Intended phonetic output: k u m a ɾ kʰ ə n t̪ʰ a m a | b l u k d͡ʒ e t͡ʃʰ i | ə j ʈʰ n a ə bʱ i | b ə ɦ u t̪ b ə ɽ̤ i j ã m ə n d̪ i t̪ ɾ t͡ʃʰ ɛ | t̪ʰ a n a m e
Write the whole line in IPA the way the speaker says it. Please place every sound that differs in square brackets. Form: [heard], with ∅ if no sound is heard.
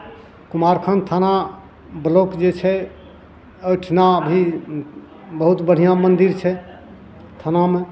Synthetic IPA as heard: k u m a ɾ kʰ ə n t̪ʰ a [n] a | b l [o] k d͡ʒ e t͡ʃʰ [ɛ] | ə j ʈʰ n a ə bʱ i | b ə ɦ u t̪ b ə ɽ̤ i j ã m ə n d̪ i [∅] ɾ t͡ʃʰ ɛ | t̪ʰ a n a m e

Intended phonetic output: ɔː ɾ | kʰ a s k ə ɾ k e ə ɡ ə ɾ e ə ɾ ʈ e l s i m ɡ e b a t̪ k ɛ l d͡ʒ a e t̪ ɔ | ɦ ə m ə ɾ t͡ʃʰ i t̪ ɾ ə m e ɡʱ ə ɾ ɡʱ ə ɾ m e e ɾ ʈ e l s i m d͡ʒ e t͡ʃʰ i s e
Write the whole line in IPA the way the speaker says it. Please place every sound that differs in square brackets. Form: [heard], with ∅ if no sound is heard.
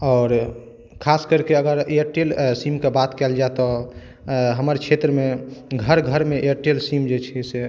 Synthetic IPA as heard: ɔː ɾ | kʰ a s k ə ɾ k e ə ɡ ə ɾ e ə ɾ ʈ e l s i m [k] e b a t̪ k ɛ l d͡ʒ a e t̪ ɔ | ɦ ə m ə ɾ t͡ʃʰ [e] t̪ ɾ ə m e ɡʱ ə ɾ ɡʱ ə ɾ m e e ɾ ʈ e l s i m d͡ʒ e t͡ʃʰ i s e

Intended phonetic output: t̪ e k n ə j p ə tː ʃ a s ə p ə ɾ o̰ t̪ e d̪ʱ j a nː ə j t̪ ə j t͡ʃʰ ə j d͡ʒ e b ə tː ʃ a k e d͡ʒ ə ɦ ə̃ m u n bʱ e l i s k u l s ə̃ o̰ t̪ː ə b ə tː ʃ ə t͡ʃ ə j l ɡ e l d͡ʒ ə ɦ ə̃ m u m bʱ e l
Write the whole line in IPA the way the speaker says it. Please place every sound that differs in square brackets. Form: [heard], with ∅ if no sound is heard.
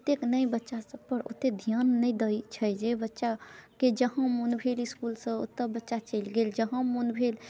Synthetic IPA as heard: t̪ e k n ə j [b] ə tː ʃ a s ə p ə ɾ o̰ t̪ e d̪ʱ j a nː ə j [d̪] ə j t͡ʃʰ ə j d͡ʒ e b ə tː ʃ a k e d͡ʒ ə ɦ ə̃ m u n bʱ e l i s k u l s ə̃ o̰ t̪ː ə b ə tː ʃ [a] t͡ʃ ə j l ɡ e l d͡ʒ ə ɦ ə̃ m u [n] bʱ e l

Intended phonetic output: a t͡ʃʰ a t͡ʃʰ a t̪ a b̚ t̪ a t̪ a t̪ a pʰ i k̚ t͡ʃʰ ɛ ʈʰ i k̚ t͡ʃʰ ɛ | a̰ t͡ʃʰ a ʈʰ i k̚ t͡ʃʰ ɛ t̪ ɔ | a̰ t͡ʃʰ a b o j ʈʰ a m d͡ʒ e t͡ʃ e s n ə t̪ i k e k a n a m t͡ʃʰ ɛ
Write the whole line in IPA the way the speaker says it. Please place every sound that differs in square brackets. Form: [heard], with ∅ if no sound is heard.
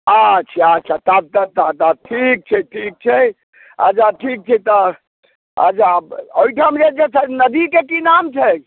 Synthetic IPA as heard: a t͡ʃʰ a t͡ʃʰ a t̪ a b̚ t̪ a t̪ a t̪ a [ʈʰ] i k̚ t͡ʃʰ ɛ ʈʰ i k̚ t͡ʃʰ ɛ | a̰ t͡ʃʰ a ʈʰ i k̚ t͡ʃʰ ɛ t̪ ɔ | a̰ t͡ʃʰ a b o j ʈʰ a m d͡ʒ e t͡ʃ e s n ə [d̪] i k e k [i] n a m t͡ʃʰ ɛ

